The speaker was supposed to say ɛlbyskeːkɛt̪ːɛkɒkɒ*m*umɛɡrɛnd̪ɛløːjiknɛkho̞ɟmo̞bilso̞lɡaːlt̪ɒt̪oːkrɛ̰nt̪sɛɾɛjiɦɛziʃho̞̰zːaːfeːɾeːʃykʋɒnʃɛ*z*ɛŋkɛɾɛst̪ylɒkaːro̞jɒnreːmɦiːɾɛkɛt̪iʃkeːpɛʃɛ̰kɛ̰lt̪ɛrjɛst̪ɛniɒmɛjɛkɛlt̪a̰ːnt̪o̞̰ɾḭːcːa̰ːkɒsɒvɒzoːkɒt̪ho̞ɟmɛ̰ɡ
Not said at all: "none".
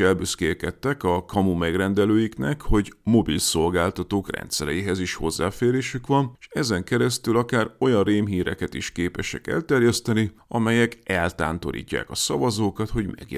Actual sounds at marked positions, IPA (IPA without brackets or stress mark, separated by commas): m, z